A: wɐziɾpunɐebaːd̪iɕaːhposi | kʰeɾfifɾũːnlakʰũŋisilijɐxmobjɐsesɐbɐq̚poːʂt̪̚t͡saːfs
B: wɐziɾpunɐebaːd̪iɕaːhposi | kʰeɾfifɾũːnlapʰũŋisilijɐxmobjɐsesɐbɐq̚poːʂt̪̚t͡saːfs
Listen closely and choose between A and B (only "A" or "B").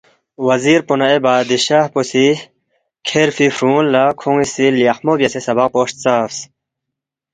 A